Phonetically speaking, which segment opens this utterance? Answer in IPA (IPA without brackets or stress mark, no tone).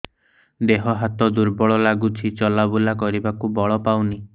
d̪